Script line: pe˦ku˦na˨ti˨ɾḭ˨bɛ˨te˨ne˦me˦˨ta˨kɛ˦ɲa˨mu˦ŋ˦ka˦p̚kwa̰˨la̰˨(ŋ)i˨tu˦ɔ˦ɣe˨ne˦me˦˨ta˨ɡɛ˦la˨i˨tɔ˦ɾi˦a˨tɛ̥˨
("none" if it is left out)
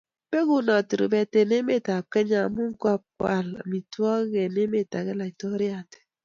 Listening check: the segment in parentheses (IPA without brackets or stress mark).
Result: m